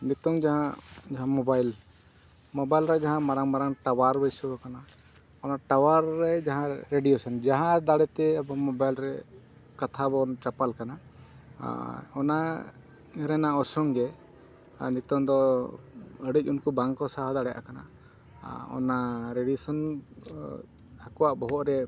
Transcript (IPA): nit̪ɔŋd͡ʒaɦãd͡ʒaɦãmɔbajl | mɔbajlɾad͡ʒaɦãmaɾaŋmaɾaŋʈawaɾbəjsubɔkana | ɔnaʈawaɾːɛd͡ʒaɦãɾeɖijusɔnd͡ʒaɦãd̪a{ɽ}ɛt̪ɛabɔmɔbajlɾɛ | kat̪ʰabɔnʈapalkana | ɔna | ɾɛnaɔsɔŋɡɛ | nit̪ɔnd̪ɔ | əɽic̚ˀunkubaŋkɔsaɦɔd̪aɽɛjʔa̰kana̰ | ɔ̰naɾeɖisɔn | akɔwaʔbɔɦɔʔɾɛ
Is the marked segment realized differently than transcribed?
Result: no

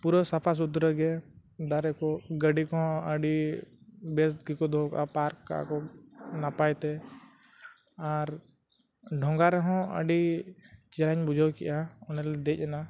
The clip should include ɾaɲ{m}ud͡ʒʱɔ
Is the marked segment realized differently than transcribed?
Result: yes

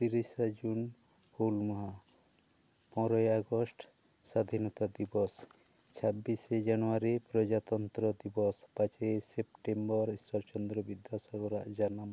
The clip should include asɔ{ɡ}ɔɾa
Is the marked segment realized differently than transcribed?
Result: no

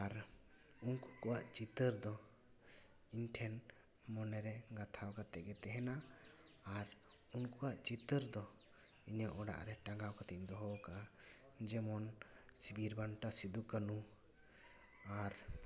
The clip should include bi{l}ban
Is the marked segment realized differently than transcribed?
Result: yes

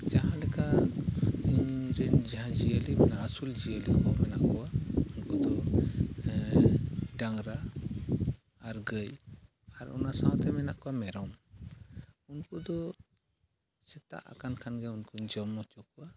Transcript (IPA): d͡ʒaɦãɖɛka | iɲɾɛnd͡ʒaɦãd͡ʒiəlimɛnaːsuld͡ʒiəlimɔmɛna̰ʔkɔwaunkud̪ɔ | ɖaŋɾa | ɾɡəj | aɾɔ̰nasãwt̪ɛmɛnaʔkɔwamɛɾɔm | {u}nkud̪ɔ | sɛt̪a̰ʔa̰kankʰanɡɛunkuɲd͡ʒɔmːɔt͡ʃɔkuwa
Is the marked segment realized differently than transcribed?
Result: no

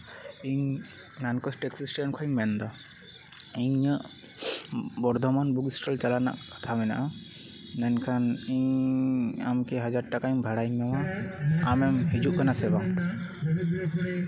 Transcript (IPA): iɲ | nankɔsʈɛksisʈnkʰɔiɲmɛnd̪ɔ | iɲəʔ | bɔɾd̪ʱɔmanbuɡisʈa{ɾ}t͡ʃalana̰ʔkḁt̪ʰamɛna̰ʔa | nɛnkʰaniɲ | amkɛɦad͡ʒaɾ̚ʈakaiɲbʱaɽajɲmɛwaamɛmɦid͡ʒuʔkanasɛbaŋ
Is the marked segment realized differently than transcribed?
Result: yes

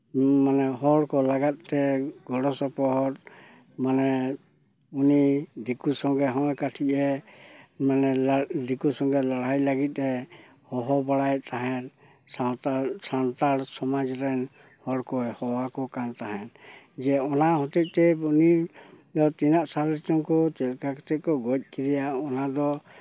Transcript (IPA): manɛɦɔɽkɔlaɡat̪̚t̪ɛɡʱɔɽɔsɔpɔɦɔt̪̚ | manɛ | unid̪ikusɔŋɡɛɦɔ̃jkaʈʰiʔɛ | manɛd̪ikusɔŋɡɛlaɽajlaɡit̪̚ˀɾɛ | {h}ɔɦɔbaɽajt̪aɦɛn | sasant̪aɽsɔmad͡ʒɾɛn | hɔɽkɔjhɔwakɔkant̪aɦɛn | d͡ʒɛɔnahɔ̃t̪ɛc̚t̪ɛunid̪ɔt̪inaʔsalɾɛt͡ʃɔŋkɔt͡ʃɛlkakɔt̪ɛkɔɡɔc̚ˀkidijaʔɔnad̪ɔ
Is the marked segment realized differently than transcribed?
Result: no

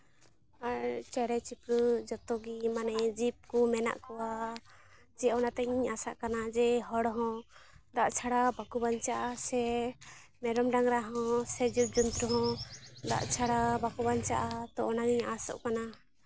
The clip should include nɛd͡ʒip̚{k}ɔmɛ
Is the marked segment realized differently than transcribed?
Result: no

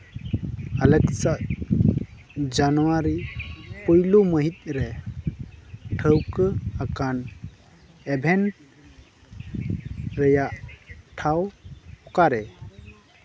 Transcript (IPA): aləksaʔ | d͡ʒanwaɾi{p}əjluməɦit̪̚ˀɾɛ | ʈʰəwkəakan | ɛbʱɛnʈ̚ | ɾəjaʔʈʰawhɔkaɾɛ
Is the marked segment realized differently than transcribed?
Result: no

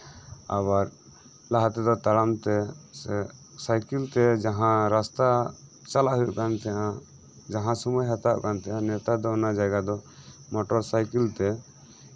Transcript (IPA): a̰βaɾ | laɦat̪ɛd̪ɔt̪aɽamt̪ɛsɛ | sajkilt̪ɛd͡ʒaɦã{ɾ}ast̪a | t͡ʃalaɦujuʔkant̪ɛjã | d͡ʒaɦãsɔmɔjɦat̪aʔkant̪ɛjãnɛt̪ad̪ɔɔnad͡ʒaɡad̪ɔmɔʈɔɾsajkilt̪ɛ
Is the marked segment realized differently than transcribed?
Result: no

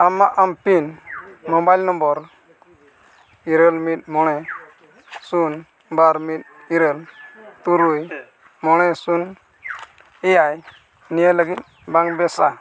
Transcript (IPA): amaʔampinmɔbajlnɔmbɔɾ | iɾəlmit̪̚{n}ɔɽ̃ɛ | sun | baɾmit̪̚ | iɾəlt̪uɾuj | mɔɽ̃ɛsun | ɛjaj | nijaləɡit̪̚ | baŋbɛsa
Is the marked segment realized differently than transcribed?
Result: yes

